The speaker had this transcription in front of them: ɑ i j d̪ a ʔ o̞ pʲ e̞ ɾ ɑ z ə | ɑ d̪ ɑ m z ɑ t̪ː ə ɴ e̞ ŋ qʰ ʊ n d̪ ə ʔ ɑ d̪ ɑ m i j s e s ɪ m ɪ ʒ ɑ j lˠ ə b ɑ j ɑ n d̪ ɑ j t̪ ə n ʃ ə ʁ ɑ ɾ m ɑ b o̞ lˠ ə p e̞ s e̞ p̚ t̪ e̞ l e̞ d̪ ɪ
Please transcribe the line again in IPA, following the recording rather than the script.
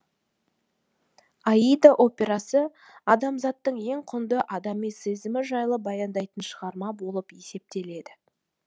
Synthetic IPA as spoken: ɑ i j d̪ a ʔ o̞ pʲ e̞ ɾ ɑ s ə | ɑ d̪ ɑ m z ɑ t̪ː ə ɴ e̞ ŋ qʰ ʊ n d̪ ə ʔ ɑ d̪ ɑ m i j s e z ɪ m ɪ ʒ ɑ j lˠ ə b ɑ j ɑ n d̪ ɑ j t̪ ə n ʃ ə ʁ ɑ ɾ m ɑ b o̞ lˠ ə p e̞ s e̞ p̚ t̪ e̞ l e̞ d̪ ɪ